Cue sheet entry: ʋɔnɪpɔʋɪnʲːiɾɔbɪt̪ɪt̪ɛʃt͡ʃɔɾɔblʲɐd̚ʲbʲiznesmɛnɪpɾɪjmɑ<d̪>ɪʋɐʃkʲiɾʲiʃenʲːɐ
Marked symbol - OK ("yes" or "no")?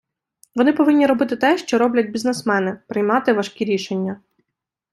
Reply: no